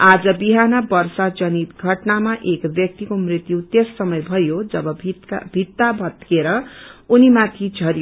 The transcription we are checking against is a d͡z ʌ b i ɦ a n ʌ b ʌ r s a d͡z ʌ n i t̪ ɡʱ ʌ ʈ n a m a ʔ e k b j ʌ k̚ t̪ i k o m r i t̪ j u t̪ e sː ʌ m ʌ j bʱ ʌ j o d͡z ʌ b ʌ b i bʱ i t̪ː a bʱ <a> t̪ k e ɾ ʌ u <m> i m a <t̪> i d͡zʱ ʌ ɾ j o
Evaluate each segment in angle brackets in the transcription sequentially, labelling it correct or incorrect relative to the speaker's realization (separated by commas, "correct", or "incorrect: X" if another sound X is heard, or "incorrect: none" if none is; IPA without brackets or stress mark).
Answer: incorrect: ʌ, incorrect: n, incorrect: t̪ʰ